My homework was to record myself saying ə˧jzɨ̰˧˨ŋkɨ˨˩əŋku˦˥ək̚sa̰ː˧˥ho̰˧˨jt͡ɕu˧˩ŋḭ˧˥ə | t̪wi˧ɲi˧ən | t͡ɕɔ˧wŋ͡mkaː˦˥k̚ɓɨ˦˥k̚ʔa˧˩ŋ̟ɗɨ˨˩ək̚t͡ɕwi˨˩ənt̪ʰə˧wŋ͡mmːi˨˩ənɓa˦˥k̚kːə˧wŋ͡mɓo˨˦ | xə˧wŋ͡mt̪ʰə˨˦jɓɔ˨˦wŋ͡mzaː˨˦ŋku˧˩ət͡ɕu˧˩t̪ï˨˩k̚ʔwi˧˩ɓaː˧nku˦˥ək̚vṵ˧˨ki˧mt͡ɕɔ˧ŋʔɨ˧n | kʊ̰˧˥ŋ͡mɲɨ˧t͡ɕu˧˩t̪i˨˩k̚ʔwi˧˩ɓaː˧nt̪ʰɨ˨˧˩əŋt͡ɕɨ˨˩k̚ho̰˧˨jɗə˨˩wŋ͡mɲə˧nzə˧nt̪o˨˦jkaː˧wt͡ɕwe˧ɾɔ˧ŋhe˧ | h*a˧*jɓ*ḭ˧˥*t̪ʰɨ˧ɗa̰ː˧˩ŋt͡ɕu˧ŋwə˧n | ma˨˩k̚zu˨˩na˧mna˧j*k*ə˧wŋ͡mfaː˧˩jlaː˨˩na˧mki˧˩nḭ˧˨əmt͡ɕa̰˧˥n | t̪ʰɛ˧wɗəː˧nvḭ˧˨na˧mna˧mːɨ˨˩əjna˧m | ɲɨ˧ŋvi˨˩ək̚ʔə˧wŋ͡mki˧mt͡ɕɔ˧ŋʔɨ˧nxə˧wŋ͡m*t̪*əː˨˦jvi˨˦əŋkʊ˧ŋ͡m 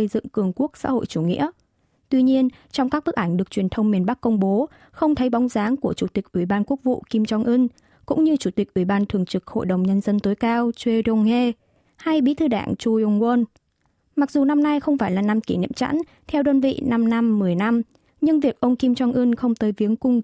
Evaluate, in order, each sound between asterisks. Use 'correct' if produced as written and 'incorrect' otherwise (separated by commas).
correct, correct, incorrect, correct